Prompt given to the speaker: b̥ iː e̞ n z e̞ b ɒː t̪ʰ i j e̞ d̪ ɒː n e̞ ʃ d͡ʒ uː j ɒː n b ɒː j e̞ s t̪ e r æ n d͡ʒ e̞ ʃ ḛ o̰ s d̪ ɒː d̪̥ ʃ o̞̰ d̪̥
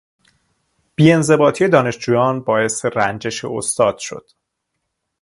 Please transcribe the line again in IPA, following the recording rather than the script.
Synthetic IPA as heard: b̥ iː e̞ n z e̞ b ɒː t̪ʰ i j e̞ d̪ ɒː n e̞ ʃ d͡ʒ uː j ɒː n b ɒː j e̞ s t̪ e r æ n d͡ʒ e̞ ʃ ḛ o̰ s t̪ ɒː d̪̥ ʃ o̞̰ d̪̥